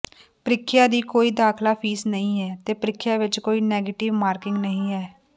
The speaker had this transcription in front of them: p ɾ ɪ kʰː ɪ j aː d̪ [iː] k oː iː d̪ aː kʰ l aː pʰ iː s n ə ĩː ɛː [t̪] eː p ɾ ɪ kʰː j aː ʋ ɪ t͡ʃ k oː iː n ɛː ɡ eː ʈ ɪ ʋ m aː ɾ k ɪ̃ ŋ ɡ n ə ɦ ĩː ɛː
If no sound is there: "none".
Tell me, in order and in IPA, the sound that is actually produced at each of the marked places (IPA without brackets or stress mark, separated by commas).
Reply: iː, t̪